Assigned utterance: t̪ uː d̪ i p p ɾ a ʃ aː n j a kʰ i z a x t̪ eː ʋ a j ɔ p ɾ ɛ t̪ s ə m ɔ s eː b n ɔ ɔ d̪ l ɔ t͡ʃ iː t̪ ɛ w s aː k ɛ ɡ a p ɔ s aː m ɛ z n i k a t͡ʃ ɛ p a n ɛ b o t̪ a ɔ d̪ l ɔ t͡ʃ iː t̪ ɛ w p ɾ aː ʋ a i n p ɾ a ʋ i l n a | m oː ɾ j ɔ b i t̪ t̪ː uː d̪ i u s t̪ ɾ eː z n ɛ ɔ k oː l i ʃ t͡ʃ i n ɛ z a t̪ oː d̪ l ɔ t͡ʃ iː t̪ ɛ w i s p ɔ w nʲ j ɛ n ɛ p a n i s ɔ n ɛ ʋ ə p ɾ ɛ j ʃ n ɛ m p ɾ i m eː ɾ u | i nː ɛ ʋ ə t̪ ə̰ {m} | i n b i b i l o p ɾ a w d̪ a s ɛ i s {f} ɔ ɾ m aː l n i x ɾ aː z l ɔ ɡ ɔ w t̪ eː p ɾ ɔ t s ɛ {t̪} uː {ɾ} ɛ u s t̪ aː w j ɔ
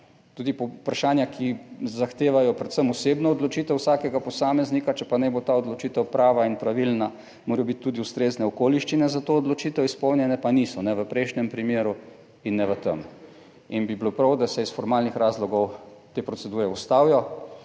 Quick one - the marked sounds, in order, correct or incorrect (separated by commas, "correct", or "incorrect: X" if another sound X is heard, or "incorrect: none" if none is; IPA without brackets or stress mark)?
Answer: correct, correct, incorrect: d̪, correct